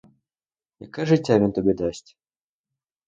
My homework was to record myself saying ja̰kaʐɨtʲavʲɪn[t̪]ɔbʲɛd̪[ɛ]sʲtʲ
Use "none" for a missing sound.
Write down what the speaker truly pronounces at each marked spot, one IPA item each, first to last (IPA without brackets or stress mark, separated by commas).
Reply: t̪, a